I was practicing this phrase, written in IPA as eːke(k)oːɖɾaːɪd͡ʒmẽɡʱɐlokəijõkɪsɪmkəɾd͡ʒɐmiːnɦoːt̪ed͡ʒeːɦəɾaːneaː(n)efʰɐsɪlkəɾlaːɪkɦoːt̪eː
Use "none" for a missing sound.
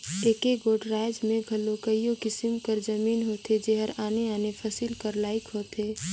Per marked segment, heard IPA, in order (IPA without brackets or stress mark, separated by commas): ɡ, n